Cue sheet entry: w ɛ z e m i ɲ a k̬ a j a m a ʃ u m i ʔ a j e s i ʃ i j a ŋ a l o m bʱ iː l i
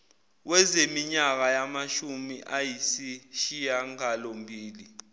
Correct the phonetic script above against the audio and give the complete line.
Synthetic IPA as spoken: w ɛ z e m i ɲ a k̬ a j a m a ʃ u m i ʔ a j i s i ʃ i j a ŋ a l o m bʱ iː l i